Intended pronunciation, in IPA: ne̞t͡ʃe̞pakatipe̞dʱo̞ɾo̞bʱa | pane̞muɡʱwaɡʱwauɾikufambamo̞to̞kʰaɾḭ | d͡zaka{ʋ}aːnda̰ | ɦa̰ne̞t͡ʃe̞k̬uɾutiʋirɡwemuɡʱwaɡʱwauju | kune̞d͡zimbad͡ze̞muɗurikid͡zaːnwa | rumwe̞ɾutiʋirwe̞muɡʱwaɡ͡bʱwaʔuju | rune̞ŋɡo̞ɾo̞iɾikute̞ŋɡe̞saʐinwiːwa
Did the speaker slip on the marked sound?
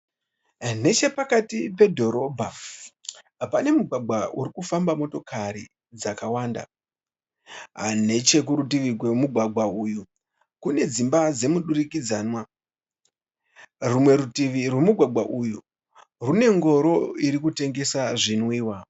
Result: yes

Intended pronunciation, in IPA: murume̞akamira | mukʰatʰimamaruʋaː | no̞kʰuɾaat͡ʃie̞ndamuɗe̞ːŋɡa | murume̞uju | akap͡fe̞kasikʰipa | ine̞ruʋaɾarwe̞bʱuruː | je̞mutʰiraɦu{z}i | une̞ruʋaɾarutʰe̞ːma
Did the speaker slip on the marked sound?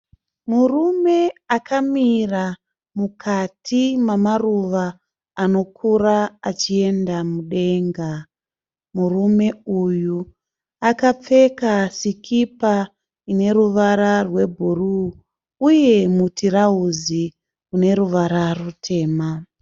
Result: no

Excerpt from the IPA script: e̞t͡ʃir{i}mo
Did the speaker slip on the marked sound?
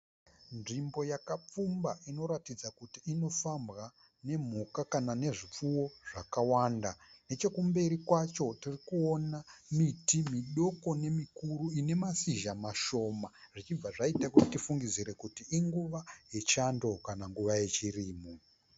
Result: yes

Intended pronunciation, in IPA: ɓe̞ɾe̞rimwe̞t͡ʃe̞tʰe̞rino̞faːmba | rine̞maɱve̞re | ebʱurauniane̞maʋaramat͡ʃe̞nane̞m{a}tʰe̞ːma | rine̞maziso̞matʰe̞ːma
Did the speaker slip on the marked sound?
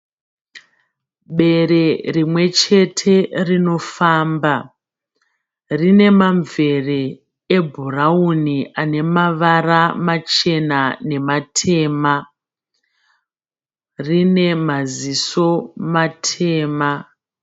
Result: no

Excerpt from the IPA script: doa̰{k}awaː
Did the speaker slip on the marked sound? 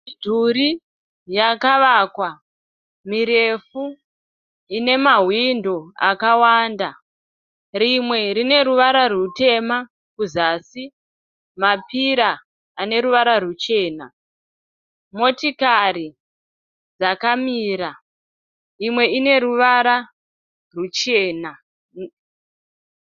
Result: no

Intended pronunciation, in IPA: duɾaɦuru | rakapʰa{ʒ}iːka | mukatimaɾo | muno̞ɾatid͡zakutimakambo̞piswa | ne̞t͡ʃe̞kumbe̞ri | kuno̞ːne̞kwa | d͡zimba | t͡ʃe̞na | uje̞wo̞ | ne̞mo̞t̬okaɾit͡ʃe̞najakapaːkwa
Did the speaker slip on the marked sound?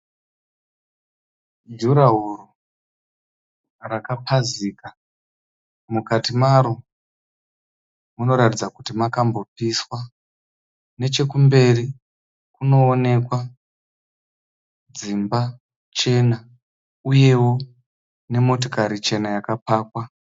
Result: yes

